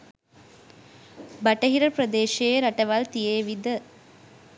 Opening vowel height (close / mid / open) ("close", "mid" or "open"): open